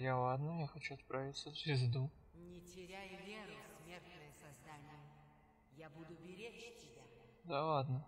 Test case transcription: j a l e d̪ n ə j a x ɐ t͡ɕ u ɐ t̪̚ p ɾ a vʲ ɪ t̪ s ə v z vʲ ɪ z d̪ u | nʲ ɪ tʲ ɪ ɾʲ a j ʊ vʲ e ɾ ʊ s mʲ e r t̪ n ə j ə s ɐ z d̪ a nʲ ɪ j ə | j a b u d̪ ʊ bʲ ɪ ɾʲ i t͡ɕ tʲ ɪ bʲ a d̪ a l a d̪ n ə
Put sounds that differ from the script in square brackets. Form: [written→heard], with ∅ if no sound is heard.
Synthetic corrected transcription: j a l [e→a] d̪ n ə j a x ɐ t͡ɕ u ɐ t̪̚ p ɾ a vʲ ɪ t̪ s ə v z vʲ ɪ z d̪ u | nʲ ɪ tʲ ɪ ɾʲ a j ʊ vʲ e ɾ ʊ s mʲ e r t̪ n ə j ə s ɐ z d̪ a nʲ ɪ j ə | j a b u d̪ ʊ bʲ ɪ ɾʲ [i→e] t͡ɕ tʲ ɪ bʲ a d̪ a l a d̪ n ə